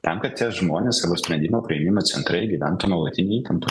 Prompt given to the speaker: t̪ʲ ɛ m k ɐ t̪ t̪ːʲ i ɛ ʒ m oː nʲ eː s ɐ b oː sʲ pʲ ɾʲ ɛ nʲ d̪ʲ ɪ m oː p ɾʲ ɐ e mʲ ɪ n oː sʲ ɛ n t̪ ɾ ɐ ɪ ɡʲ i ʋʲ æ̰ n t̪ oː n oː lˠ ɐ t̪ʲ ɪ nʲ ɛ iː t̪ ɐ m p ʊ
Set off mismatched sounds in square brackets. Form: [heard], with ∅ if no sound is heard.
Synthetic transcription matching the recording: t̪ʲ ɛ m k ɐ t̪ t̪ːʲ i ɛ ʒ m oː nʲ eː s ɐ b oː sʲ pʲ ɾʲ ɛ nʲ d̪ʲ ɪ m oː p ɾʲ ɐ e mʲ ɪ [m] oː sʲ ɛ n t̪ ɾ ɐ ɪ ɡʲ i ʋʲ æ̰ n t̪ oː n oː lˠ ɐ t̪ʲ ɪ nʲ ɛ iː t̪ ɐ m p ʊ